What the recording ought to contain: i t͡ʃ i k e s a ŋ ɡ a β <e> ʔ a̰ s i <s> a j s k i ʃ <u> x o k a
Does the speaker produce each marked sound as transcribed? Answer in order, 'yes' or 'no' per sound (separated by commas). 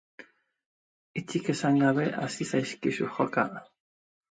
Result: yes, yes, yes